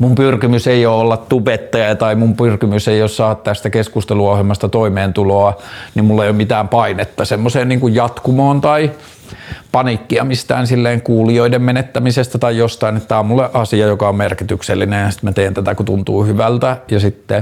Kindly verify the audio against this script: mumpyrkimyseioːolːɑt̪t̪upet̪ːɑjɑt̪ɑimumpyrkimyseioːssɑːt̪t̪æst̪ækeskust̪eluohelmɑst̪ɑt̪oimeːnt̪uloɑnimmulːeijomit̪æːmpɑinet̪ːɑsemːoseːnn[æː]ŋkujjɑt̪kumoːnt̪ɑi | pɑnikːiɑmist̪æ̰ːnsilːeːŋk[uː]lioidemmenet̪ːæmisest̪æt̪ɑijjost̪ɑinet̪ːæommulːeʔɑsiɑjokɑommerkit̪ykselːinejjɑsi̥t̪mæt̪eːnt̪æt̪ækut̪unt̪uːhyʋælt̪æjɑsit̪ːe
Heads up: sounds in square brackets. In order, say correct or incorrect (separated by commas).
incorrect, correct